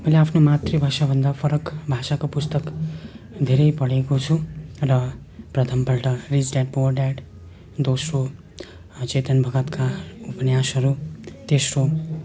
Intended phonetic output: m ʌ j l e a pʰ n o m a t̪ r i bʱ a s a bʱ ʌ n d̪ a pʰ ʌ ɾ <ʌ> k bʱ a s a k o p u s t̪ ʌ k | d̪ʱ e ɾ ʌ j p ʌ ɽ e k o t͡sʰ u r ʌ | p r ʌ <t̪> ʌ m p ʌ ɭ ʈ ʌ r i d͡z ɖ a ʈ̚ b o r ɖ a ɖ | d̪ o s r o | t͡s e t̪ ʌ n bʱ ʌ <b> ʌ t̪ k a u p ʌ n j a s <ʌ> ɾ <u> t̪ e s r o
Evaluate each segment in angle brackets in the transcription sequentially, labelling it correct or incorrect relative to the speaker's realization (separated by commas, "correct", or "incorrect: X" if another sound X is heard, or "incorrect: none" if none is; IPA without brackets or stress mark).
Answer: correct, incorrect: t̪ʰ, incorrect: ɡ, correct, correct